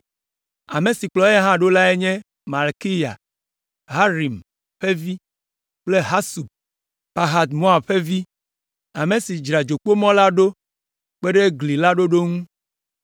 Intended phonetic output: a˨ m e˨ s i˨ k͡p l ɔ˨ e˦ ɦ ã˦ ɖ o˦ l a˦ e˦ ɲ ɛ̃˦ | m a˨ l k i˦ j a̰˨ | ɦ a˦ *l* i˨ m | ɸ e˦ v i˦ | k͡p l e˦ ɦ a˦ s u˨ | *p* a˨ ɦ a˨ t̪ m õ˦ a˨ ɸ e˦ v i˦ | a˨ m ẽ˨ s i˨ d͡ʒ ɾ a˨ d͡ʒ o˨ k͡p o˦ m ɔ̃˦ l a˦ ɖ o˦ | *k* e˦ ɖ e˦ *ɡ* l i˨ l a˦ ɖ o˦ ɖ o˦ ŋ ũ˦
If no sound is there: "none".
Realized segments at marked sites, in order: ɾ, p, k͡p, ɡ

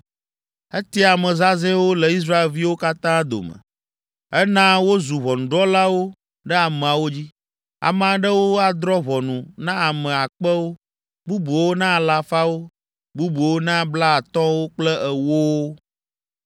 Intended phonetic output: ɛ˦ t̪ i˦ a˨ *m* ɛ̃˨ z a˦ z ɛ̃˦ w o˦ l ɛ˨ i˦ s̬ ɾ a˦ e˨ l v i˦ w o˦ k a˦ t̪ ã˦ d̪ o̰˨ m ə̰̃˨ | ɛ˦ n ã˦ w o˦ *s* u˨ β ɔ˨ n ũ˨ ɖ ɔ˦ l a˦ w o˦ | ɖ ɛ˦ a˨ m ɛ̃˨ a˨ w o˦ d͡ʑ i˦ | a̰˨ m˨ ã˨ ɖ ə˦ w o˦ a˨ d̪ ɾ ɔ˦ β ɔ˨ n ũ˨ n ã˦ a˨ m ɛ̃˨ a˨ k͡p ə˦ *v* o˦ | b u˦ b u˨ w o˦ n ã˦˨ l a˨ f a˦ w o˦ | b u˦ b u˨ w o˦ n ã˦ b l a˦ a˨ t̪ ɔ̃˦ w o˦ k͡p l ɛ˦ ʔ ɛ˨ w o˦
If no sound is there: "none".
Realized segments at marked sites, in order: m, z, w

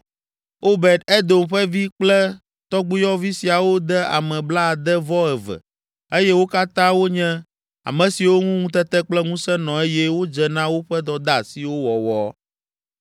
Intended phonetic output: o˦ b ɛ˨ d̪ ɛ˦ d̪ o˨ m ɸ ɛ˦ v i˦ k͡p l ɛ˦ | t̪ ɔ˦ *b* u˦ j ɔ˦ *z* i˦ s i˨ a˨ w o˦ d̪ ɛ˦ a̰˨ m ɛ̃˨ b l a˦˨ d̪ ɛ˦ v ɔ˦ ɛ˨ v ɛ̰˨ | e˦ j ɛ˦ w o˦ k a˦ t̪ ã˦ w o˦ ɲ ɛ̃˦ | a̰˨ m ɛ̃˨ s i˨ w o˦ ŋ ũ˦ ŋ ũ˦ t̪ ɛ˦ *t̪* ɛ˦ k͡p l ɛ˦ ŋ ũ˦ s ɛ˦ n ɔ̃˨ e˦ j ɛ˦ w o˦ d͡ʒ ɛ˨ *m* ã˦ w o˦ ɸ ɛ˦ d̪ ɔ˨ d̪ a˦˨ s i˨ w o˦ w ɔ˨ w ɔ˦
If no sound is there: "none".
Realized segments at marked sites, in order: ɡ͡b, v, t̪, n

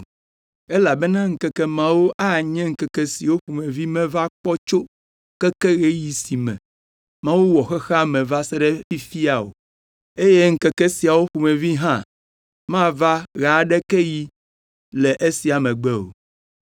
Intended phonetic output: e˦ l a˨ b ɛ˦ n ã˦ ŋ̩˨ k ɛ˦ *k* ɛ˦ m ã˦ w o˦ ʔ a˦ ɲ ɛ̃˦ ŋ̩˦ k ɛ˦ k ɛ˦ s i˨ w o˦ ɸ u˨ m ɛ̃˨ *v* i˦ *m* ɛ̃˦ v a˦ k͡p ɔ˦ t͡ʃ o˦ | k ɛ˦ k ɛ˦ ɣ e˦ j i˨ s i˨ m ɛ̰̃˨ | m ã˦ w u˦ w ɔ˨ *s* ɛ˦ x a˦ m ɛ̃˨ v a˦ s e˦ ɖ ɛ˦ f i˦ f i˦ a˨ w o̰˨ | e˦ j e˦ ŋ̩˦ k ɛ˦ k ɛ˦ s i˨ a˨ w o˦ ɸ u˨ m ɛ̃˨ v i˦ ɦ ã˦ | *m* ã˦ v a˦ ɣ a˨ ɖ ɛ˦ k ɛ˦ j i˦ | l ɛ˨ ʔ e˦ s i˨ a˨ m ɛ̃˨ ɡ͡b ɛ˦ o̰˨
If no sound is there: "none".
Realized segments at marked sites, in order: k, v, m, x, m

